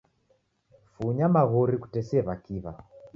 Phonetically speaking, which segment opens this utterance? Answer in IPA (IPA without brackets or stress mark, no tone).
f